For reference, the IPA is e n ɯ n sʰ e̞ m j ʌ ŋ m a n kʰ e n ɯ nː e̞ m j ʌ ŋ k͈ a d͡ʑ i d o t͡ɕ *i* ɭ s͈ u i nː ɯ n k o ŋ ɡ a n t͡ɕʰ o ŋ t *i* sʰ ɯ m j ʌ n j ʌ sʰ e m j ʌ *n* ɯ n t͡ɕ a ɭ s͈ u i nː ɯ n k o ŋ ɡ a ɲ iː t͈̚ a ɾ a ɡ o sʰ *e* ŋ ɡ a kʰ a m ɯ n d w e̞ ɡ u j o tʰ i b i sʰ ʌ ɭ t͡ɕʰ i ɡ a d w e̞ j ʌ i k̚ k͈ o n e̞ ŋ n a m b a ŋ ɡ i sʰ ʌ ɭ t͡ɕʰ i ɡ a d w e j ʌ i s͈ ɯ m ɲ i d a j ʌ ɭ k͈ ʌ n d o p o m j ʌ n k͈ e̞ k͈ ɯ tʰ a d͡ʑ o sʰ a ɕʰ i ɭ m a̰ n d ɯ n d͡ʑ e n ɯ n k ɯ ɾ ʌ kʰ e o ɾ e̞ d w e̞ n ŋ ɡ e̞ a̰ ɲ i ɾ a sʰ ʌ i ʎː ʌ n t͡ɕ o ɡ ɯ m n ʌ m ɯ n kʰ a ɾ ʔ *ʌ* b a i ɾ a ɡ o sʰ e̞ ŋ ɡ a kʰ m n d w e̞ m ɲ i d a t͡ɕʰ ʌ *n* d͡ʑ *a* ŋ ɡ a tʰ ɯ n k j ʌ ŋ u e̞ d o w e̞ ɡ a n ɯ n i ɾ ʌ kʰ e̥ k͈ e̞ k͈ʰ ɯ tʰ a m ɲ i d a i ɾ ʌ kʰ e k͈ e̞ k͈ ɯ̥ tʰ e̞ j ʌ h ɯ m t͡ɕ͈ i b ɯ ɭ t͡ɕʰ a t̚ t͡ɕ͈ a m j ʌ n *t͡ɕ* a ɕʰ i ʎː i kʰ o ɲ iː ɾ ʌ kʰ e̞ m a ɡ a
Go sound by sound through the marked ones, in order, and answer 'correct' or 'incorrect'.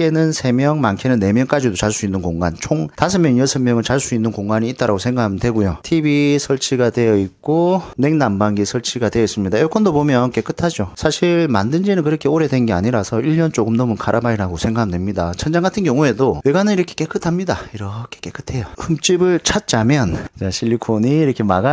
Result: incorrect, incorrect, incorrect, correct, incorrect, correct, correct, correct

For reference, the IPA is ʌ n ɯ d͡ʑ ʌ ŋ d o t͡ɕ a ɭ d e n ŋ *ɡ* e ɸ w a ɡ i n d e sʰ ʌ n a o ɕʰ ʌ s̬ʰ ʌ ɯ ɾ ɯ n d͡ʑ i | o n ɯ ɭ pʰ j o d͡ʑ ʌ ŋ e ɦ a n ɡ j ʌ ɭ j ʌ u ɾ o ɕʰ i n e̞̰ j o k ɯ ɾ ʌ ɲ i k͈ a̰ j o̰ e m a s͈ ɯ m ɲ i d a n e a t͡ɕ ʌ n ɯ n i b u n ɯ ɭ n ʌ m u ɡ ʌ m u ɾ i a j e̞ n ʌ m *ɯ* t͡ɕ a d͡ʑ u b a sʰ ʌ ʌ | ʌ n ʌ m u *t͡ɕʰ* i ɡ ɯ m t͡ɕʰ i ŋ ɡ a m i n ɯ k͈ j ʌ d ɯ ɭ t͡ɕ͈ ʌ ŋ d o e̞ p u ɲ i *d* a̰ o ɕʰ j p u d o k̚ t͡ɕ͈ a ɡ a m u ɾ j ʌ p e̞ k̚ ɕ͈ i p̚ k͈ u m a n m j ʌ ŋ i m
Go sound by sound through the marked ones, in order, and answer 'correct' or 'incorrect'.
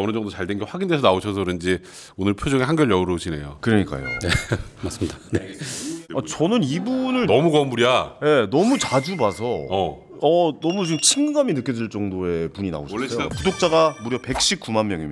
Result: correct, incorrect, incorrect, incorrect

